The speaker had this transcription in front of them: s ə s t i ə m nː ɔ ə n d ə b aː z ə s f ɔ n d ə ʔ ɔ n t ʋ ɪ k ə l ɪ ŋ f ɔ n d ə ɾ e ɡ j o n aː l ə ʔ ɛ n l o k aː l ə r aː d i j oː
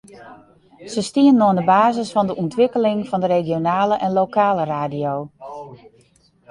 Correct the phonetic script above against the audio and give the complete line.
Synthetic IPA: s ə s t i ə n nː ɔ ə n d ə b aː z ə s f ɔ n d ə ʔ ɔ n t ʋ ɪ k ə l ɪ ŋ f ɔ n d ə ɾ e ɡ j o n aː l ə ʔ ɛ n l o k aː l ə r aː d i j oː

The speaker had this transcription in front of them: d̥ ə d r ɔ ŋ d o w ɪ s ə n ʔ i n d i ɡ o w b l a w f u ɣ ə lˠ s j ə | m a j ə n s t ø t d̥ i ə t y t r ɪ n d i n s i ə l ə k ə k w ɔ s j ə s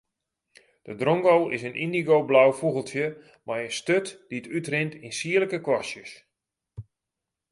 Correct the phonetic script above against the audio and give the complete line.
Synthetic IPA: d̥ ə d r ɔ ŋ ɡ o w ɪ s ə n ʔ i n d i ɡ o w b l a w f u ɣ ə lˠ t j ə | m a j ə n s t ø t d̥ i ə t y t r ɪ n t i n s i ə l ə k ə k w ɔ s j ə s

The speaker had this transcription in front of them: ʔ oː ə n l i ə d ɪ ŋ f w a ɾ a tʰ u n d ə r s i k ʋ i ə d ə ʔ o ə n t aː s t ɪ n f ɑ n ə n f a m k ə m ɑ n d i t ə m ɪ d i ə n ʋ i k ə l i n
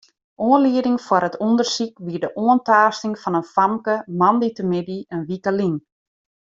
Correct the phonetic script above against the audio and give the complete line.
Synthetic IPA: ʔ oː ə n l i ə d ɪ ŋ f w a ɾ ə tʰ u n d ə r s i k ʋ i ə d ə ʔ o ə n t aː s t ɪ ŋ f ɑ n ə n f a m k ə m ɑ n d i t ə m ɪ d i ə n ʋ i k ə l i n

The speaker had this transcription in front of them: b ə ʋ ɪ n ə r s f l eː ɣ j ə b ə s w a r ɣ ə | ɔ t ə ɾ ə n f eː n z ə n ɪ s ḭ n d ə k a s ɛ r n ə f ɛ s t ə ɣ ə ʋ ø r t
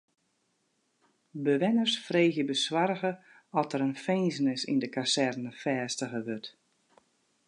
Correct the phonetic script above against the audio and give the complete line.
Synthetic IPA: b ə ʋ ɪ n ə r s f r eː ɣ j ə b ə s w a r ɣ ə | ɔ t ə ɾ ə n f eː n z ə n ɪ s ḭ n d ə k a s ɛ r n ə f ɛː s t ə ɣ ə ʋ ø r t

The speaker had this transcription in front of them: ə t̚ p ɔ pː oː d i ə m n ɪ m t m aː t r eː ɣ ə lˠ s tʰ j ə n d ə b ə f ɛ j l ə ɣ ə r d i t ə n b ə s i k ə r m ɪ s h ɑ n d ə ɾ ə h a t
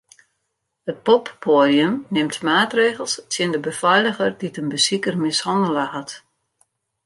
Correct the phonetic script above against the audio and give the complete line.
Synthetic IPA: ə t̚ p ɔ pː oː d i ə m n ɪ m t m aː t r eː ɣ ə lˠ s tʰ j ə n d ə b ə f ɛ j l ə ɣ ə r d i t ə n b ə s i k ə r m ɪ s h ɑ n d ə l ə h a t

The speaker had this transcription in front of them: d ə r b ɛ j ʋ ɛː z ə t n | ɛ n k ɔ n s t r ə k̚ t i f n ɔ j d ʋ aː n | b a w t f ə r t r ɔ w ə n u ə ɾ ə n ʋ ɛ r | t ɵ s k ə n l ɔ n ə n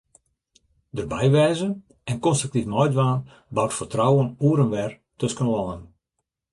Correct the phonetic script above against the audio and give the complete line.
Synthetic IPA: d ə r b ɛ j ʋ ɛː z ə n | ɛ n k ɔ n s t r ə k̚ t i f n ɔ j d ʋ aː n | b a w t f ə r t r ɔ w ə n u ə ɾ ə n ʋ ɛ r | t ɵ s k ə n l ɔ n ə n

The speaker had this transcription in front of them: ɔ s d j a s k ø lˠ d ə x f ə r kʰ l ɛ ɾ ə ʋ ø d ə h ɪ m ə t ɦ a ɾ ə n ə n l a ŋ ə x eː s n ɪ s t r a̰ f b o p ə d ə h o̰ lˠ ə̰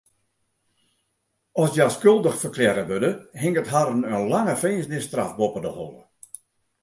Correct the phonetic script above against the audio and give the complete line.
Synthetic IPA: ɔ s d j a s k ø lˠ d ə x f ə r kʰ l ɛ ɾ ə ʋ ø d ə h ɪ ŋ ə t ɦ a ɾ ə n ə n l a ŋ ə f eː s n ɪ s t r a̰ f b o p ə d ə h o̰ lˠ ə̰

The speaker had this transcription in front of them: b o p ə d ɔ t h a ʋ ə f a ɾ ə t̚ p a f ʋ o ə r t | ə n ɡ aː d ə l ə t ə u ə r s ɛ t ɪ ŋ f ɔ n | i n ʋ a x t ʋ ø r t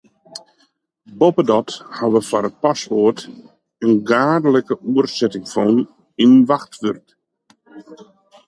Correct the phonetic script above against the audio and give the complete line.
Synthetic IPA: b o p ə d ɔ t h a ʋ ə f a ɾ ə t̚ p a s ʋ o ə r t | ə n ɡ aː d ə l ə k ə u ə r s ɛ t ɪ ŋ f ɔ n | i n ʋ a x t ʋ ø r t

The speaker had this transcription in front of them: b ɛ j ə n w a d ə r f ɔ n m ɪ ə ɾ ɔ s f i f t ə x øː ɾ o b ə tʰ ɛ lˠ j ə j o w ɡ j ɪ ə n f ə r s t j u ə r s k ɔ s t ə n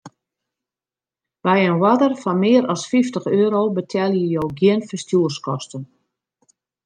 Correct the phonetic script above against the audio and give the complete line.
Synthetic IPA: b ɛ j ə n w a d ə r f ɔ n m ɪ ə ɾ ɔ s f i f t ə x øː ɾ o b ə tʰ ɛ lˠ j ə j o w ɡ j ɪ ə n f ə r s t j u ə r s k ɔ s t ə n

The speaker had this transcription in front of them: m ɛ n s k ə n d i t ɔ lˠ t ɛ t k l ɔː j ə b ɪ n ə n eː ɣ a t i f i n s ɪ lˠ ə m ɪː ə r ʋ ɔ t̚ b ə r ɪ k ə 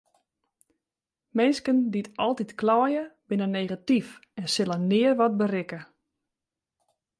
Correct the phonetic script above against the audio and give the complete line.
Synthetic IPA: m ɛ n s k ə n d i t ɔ lˠ t i t k l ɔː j ə b ɪ n ə n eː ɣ a t i f ɛ n s ɪ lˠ ə n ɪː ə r ʋ ɔ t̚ b ə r ɪ k ə

